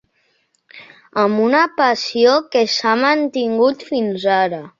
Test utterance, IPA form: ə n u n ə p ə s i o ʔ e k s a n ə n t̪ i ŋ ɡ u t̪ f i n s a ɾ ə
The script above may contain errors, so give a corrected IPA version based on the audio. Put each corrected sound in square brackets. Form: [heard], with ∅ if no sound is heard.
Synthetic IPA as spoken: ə [m] u n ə p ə s i o [k] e [∅] s a [m] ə n t̪ i ŋ ɡ u t̪ f i n [z] a ɾ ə